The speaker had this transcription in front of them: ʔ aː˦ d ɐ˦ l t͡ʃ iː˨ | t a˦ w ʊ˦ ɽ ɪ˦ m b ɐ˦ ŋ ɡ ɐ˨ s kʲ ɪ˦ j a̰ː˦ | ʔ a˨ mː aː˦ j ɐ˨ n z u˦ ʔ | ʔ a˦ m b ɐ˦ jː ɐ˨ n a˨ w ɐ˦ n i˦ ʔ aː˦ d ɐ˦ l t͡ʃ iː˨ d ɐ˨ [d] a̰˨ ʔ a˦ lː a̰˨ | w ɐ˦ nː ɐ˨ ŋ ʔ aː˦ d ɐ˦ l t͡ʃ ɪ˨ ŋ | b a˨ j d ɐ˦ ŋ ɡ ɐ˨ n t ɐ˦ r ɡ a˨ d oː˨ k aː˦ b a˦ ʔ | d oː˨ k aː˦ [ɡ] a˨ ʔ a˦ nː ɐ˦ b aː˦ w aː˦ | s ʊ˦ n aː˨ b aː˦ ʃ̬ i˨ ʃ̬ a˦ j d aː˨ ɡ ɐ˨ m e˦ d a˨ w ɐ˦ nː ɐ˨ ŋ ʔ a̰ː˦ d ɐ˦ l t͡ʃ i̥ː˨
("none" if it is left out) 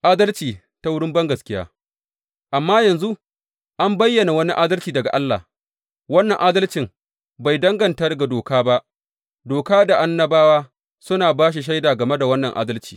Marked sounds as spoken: ɡ, d

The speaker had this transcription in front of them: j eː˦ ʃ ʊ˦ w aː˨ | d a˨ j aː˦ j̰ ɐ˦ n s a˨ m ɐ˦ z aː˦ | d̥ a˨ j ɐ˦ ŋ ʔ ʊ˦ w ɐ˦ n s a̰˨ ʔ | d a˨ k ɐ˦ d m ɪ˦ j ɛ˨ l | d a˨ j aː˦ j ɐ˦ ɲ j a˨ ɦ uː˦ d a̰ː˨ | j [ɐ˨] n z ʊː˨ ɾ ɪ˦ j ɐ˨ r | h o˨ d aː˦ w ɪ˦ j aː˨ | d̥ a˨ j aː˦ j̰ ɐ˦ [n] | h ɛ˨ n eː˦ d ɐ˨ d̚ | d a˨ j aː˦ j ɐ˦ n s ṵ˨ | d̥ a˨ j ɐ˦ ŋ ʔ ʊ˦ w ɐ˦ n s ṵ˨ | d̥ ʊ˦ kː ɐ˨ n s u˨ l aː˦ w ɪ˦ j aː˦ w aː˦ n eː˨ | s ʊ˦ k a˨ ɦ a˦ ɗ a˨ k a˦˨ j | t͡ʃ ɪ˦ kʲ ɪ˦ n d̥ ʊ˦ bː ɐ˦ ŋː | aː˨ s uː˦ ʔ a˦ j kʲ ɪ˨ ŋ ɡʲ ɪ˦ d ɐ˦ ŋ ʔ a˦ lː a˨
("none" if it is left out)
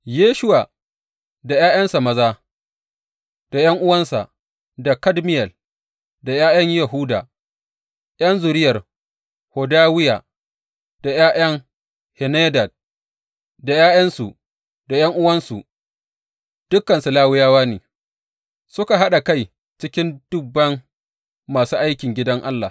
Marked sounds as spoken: ɐ˦, ŋ

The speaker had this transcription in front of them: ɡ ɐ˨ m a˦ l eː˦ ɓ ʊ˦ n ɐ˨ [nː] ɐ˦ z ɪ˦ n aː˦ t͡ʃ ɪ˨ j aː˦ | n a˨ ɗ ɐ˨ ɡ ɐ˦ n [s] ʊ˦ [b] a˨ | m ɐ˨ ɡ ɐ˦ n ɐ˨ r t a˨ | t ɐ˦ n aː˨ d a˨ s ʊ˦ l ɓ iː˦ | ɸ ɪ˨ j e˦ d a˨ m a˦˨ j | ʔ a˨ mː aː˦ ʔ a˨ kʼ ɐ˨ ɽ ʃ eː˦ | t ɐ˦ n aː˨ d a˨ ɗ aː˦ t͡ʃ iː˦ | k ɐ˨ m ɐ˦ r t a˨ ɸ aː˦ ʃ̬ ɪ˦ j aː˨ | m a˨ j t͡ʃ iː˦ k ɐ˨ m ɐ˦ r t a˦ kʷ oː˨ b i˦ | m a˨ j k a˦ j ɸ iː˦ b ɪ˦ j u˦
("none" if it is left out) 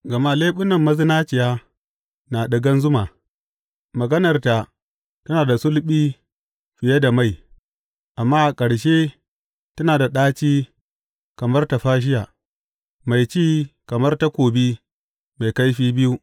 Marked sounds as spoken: mː, z, m

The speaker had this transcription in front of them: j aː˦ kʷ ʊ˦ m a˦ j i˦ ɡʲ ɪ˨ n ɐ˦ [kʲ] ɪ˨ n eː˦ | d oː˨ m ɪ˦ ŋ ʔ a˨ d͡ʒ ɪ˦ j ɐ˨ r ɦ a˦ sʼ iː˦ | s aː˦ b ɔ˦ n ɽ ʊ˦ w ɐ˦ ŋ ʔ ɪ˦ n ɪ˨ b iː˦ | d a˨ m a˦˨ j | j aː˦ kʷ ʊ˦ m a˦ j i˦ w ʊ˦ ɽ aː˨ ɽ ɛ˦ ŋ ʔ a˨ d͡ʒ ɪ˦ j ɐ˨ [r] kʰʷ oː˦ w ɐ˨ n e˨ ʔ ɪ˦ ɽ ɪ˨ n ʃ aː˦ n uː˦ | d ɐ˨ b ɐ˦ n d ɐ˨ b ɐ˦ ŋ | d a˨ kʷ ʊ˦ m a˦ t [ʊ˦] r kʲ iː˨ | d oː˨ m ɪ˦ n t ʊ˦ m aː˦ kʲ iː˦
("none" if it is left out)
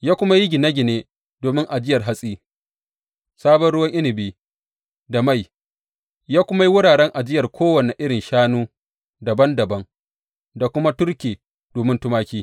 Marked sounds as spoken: ɡʲ, r, ʊ˦

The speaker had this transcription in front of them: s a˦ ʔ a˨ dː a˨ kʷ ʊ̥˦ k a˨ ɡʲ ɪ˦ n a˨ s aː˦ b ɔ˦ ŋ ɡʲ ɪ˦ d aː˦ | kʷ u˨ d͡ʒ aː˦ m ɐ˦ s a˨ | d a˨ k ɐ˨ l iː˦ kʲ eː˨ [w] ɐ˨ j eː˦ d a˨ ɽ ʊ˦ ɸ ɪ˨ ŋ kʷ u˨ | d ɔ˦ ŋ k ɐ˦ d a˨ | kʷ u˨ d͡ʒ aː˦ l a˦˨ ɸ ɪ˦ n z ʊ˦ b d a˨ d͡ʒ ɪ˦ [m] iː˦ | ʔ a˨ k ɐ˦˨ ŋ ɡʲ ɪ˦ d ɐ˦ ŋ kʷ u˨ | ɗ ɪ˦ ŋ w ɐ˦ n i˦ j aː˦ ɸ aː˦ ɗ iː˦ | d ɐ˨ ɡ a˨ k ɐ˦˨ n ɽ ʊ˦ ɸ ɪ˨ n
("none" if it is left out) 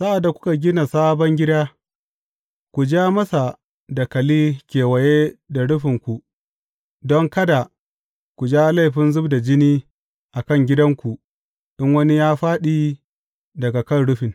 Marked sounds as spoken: w, n

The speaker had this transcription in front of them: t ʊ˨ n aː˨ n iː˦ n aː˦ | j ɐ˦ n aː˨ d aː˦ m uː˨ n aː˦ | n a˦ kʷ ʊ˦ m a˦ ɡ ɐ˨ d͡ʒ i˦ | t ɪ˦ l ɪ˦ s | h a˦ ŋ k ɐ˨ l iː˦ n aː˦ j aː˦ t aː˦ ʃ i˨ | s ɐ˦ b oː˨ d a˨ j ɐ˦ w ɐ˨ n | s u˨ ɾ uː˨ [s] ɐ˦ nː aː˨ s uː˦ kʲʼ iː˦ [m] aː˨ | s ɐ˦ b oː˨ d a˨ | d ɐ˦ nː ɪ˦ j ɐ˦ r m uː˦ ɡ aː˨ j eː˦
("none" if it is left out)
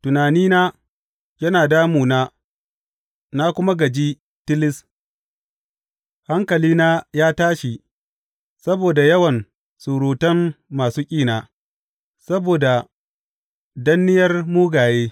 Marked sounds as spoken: t, n

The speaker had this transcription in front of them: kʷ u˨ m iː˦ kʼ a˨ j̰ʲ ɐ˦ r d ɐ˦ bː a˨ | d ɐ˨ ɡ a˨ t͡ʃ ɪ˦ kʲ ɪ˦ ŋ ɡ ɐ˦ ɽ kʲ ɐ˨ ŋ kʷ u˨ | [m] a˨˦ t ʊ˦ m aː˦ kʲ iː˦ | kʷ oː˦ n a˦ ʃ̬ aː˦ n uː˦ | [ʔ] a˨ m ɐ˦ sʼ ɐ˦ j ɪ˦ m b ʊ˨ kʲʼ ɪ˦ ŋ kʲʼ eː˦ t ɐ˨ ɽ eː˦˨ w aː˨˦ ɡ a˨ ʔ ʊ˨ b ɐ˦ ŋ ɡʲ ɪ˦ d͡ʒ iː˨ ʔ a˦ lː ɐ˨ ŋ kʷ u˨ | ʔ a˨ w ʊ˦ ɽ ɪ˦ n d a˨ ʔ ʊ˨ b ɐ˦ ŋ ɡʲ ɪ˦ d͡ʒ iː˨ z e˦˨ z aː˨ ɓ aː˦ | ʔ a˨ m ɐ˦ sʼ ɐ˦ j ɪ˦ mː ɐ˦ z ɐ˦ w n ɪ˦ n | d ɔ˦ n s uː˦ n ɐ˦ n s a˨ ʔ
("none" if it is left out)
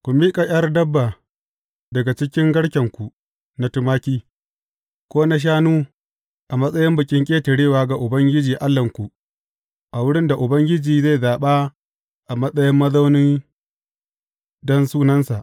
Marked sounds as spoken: n, ʔ

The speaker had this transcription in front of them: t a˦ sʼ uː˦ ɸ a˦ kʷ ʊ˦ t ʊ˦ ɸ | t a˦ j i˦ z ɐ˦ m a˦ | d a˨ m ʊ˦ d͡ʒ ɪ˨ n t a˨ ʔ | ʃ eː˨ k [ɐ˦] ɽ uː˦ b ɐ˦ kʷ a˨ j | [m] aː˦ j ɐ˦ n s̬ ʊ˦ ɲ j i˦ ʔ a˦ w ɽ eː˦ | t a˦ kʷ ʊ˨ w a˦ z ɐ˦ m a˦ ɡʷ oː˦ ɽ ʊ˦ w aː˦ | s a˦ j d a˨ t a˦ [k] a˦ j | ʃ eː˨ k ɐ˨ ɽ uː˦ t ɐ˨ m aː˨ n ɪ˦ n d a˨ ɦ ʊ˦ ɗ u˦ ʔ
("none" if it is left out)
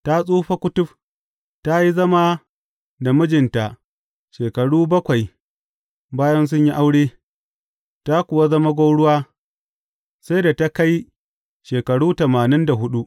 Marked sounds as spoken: ɐ˨, b, k

